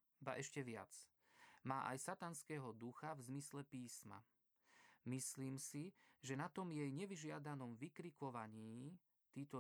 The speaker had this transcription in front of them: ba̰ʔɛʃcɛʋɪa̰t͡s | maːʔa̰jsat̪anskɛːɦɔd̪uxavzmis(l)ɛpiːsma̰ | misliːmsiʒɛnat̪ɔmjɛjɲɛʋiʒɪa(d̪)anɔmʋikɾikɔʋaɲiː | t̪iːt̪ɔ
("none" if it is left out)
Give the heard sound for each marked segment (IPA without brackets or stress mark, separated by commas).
l, d̪